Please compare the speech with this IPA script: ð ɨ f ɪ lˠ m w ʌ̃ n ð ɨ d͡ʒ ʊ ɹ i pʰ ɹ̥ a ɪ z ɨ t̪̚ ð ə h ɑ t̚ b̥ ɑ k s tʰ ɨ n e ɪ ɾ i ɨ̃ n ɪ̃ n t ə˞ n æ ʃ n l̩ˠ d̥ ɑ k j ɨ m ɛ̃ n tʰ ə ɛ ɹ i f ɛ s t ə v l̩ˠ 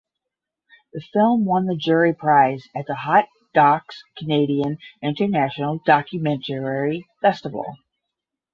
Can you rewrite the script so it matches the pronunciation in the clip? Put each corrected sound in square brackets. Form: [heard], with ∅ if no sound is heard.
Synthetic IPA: ð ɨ f ɪ lˠ m w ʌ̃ n ð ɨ d͡ʒ ʊ ɹ i pʰ ɹ̥ a ɪ z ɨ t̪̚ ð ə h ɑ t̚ [d̥] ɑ k s [kʰ] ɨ n e ɪ ɾ i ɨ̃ n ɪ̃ n t ə˞ n æ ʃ n l̩ˠ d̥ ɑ k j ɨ m ɛ̃ n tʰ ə ɛ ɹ i f ɛ s t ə v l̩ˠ